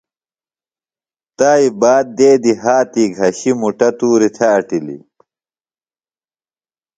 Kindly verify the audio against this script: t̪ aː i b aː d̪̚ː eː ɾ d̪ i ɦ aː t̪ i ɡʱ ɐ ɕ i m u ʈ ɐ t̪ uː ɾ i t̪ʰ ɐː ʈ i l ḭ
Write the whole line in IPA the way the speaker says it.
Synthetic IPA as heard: t̪ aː i b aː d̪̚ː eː d̪ i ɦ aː t̪ i ɡʱ ɐ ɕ i m u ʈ ɐ t̪ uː ɾ i t̪ʰ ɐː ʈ i l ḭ